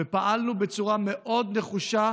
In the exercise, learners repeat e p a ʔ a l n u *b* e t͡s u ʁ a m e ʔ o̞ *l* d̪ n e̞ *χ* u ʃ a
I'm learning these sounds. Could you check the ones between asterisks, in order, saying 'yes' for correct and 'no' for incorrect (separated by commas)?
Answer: yes, no, yes